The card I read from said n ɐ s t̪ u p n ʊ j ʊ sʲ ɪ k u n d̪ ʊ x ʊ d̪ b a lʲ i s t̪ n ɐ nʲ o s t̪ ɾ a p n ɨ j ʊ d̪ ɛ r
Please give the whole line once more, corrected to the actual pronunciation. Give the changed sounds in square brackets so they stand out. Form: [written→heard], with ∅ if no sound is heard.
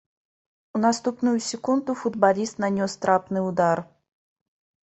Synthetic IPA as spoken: n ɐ s t̪ u p n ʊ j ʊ sʲ ɪ k u n d̪ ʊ [x→f] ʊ d̪ b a lʲ i s t̪ n ɐ nʲ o s t̪ ɾ a p n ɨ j ʊ d̪ [ɛ→a] r